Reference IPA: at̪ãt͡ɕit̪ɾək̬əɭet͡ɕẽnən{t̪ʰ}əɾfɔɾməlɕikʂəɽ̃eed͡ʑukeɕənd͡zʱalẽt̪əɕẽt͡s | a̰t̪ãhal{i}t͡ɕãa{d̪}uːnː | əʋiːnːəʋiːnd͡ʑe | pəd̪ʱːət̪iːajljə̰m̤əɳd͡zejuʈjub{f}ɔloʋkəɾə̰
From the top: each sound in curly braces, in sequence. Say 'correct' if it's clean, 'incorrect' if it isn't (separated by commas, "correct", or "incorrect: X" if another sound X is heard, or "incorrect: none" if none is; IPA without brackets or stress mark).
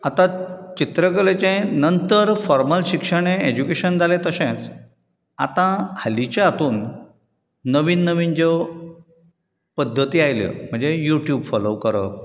incorrect: t̪, correct, incorrect: t̪, correct